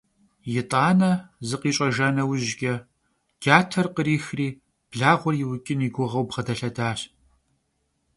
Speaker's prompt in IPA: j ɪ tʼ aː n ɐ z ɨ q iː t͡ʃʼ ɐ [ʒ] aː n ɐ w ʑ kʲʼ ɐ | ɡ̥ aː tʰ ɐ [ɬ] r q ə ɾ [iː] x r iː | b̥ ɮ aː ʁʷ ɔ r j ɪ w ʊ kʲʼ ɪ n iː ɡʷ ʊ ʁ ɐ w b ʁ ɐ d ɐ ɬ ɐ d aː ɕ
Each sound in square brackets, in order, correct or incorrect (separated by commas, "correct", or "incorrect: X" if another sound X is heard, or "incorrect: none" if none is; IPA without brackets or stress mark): correct, incorrect: none, correct